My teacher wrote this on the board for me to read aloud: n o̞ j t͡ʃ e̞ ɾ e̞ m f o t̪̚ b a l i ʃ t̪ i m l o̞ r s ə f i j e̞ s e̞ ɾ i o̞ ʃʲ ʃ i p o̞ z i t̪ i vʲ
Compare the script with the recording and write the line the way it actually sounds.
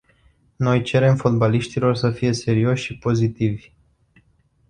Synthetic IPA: n o̞ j t͡ʃ e̞ ɾ e̞ m f o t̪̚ b a l i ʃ t̪ i l o̞ r s ə f i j e̞ s e̞ ɾ i o̞ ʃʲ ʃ i p o̞ z i t̪ i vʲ